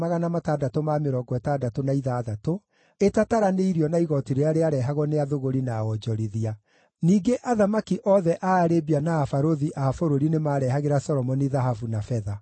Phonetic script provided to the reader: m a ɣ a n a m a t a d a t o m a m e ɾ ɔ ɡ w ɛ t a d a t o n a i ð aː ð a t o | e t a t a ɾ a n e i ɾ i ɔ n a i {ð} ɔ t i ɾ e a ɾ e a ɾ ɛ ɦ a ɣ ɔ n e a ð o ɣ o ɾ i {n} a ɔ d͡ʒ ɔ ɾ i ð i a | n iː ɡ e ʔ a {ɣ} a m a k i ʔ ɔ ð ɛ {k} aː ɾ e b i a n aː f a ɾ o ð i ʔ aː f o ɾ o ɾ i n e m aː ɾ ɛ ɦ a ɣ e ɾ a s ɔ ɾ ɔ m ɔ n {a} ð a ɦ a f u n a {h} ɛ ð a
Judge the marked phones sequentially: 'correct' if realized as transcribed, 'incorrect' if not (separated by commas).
incorrect, correct, incorrect, incorrect, incorrect, incorrect